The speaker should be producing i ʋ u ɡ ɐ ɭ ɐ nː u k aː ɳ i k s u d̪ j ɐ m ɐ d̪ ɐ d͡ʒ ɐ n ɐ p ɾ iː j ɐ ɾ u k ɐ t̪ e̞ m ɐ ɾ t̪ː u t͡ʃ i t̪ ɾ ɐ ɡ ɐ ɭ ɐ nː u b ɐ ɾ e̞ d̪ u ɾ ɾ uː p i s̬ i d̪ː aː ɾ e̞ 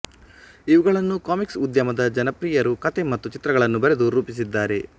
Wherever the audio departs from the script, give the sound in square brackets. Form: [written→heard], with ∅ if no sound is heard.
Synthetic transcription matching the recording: i ʋ u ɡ ɐ ɭ ɐ nː u k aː [ɳ→m] i k s u d̪ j ɐ m ɐ d̪ ɐ d͡ʒ ɐ n ɐ p ɾ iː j ɐ ɾ u k ɐ t̪ e̞ m ɐ [ɾ→∅] t̪ː u t͡ʃ i t̪ ɾ ɐ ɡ ɐ ɭ ɐ nː u b ɐ ɾ e̞ d̪ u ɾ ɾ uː p i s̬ i d̪ː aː ɾ e̞